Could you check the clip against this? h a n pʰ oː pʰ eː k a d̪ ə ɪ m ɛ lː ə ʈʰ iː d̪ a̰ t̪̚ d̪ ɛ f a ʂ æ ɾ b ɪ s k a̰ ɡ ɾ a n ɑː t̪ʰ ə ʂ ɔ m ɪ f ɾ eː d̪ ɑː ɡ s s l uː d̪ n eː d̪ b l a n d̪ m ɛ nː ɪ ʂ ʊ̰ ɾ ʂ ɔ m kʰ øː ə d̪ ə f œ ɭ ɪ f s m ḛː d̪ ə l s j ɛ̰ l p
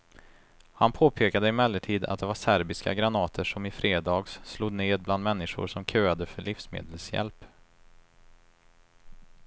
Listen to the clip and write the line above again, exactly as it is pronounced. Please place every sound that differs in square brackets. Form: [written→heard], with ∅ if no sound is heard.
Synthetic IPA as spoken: h a n pʰ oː pʰ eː k a d̪ ə ɪ m ɛ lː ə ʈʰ iː d̪ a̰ t̪̚ d̪ ɛ [f→v] a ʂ æ ɾ b ɪ s k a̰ ɡ ɾ a n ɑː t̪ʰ ə ʂ ɔ m ɪ f ɾ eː d̪ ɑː ɡ s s l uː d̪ n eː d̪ b l a n d̪ m ɛ nː ɪ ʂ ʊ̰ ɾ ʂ ɔ m kʰ øː [ə→a] d̪ ə f œ ɭ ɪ f s m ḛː d̪ ə l s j ɛ̰ l p